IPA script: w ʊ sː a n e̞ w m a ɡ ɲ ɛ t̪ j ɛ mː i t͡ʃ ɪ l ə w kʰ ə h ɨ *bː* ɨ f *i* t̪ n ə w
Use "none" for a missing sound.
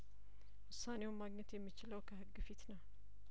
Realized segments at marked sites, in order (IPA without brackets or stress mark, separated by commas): ɡː, i